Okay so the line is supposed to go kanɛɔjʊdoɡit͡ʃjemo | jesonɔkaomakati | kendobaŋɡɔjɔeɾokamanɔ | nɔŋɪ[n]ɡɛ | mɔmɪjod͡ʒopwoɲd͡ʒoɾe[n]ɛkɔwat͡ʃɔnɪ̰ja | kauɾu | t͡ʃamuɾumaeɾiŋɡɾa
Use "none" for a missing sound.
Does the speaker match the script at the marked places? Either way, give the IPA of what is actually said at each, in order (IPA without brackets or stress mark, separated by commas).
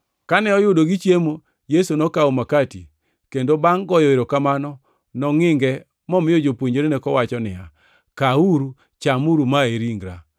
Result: ŋ, n